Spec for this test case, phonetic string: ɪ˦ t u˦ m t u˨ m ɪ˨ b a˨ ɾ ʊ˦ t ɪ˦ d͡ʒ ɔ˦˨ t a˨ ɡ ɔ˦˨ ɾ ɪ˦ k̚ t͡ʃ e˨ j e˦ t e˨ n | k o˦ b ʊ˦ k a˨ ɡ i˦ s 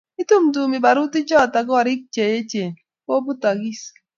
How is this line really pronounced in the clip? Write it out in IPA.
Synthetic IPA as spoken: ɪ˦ t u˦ m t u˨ m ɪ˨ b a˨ ɾ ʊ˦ t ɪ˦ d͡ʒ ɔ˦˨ t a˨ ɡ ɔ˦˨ ɾ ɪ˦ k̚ t͡ʃ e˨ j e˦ t͡ʃ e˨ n | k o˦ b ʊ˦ t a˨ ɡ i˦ s